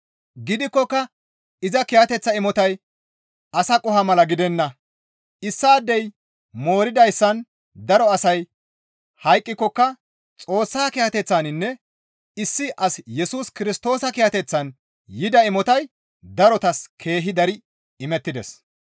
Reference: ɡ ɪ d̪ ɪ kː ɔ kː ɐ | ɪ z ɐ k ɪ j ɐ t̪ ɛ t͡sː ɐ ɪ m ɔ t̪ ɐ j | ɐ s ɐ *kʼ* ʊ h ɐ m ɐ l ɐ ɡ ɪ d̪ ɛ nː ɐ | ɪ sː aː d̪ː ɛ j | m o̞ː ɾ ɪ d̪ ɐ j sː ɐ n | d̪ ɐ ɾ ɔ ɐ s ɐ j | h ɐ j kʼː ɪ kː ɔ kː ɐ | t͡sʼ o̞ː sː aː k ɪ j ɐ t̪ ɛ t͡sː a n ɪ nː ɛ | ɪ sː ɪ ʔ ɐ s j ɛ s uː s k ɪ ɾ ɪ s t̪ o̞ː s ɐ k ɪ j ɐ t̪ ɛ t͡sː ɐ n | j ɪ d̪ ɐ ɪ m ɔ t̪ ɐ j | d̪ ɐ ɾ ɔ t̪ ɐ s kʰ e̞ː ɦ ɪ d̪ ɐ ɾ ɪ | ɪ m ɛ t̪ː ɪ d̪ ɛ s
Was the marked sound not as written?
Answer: no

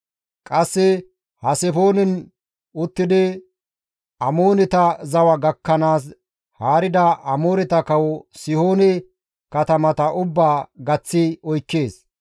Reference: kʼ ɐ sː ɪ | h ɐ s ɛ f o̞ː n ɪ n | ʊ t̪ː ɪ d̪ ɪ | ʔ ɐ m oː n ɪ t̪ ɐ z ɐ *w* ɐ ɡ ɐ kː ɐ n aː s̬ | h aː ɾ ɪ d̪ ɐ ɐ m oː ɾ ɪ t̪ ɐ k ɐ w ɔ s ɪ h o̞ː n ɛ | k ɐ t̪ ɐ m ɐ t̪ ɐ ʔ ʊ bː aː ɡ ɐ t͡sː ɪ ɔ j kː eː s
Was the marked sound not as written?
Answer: no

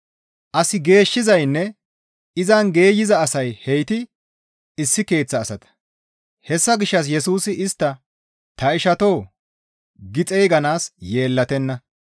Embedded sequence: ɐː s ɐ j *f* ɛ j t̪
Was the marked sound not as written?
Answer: yes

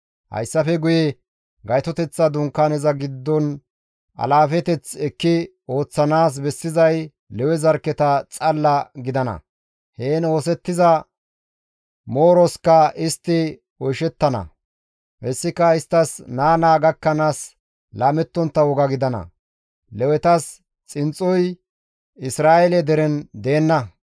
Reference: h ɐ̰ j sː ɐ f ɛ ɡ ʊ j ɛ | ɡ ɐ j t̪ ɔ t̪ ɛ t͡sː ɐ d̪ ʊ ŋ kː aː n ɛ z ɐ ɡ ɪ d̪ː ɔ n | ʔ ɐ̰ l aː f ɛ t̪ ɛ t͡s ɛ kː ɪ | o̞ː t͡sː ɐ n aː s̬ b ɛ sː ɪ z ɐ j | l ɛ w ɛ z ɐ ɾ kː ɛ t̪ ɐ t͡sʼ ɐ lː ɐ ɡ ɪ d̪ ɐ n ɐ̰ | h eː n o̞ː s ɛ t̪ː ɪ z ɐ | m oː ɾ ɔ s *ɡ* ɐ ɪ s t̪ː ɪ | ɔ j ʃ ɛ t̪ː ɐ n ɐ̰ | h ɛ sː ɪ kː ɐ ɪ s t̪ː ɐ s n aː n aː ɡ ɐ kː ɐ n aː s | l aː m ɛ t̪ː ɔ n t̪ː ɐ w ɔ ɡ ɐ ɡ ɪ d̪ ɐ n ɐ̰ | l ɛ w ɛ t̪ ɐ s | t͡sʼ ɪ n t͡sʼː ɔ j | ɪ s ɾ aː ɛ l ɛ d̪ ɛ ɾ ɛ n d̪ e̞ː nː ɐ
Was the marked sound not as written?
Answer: yes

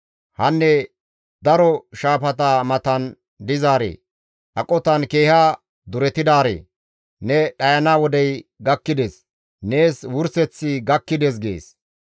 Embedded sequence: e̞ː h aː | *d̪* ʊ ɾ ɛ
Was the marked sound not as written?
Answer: no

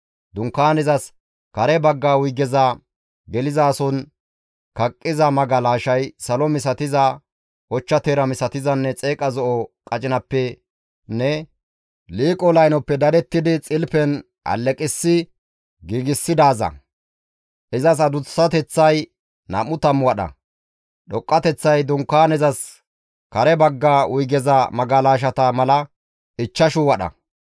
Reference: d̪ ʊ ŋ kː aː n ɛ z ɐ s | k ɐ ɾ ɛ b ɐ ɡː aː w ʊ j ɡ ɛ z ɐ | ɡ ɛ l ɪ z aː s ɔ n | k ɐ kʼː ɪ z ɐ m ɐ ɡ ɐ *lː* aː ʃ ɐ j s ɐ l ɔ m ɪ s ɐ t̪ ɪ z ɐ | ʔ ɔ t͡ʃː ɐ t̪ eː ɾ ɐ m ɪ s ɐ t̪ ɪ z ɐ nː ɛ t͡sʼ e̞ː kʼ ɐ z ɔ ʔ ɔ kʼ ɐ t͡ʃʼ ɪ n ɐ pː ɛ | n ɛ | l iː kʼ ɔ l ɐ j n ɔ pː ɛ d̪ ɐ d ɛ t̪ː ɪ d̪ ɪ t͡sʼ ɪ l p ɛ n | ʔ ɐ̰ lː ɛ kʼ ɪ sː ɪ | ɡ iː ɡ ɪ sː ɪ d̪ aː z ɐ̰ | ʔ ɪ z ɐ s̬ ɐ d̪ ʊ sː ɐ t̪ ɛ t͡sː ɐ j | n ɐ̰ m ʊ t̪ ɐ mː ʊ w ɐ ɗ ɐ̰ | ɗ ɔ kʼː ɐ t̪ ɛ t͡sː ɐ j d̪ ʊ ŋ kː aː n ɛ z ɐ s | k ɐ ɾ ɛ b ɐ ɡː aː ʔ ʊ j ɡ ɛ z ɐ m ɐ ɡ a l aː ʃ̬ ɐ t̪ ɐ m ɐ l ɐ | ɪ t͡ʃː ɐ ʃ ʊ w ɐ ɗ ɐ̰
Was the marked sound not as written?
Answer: yes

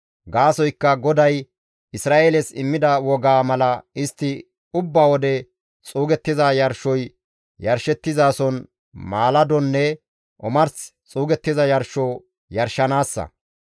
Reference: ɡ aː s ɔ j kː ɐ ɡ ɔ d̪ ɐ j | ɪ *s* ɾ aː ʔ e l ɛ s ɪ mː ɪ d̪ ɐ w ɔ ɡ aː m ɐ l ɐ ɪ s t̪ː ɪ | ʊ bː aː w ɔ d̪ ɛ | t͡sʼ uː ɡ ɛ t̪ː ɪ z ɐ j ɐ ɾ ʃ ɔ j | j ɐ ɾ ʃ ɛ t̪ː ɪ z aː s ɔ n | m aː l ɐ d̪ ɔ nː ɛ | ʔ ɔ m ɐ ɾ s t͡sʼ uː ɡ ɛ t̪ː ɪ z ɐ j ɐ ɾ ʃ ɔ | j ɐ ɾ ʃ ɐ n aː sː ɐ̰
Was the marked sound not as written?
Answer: no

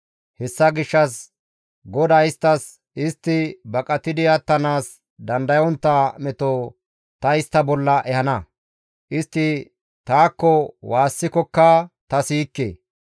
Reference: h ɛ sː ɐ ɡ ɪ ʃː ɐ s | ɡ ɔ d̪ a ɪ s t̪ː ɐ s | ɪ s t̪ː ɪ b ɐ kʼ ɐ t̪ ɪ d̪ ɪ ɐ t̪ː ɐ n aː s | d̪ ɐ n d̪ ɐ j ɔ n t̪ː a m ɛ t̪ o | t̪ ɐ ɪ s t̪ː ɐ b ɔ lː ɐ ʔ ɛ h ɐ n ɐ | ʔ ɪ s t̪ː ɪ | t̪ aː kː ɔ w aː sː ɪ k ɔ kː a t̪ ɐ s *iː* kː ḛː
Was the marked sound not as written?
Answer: no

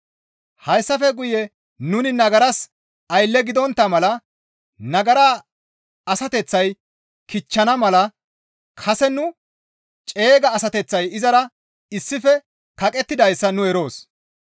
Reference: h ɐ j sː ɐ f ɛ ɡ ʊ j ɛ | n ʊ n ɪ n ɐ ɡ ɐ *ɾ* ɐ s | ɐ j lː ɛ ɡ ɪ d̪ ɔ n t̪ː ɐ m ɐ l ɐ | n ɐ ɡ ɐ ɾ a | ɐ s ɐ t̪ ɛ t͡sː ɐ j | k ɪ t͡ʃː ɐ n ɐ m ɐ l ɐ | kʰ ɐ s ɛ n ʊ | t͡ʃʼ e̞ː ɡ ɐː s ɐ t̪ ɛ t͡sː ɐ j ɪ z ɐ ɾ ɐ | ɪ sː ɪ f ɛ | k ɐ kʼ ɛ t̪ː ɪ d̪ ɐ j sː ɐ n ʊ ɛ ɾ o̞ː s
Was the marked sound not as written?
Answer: no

